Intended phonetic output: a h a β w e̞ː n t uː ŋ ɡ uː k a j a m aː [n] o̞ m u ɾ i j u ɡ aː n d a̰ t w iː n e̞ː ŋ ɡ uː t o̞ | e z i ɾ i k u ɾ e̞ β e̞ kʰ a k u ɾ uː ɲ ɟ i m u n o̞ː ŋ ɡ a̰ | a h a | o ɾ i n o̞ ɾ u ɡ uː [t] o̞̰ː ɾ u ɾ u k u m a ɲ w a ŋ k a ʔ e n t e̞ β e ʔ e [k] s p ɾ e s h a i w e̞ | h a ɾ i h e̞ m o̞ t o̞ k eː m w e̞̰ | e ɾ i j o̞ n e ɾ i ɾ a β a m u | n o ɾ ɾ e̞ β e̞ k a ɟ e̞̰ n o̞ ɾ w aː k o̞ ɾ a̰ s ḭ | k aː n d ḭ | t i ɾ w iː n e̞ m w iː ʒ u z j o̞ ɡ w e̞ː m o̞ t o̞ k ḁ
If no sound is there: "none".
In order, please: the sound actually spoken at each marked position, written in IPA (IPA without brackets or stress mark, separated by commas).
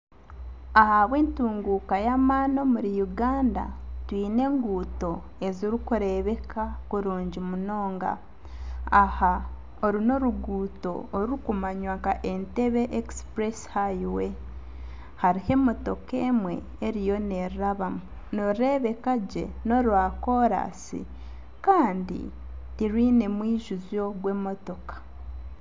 n, t, k